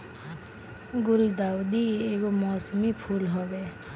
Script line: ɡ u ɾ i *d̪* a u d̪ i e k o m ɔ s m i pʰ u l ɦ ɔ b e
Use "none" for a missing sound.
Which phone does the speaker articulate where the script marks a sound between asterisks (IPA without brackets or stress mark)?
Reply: d̪